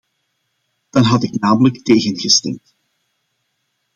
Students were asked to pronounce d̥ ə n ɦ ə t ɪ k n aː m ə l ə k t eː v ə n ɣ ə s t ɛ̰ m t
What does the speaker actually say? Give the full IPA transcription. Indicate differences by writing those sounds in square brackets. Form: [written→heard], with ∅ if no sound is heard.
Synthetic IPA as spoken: d̥ [ə→ɑ] n ɦ [ə→ɑ] t ɪ k n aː m ə l ə k t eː [v→ɣ] ə n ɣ ə s t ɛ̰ m t